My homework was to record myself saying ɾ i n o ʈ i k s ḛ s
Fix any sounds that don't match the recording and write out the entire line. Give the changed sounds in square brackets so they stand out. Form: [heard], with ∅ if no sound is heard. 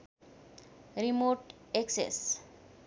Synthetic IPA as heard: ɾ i [m] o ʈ [e] k s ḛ s